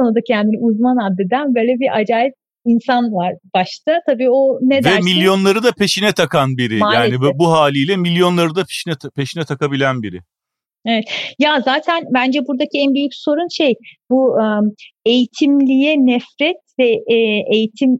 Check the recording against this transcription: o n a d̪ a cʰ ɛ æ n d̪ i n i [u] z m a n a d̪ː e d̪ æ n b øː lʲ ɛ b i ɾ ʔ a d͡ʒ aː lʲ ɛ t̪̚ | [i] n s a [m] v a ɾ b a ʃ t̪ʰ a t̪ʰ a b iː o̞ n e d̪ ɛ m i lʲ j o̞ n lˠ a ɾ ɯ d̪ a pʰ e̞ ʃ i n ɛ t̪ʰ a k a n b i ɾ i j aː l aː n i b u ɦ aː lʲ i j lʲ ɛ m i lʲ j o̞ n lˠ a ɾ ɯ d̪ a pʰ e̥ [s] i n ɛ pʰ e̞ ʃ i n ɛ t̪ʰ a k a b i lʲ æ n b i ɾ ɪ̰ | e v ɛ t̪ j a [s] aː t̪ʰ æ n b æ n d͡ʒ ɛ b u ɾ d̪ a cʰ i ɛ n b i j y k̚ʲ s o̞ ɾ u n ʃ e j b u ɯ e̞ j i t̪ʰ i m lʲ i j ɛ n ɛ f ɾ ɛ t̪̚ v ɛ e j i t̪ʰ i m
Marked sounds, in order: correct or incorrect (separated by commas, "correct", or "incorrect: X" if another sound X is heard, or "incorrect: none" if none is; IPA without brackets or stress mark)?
correct, correct, incorrect: n, incorrect: ʃ, incorrect: z